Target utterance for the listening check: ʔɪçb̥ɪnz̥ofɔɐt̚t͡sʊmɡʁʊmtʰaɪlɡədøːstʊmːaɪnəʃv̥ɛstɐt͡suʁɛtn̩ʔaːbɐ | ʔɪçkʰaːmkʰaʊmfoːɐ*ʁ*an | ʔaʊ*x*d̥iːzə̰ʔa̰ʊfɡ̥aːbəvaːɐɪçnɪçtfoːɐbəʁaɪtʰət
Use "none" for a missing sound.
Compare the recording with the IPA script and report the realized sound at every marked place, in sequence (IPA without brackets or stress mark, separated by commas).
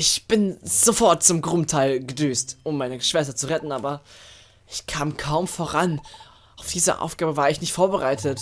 ʁ, f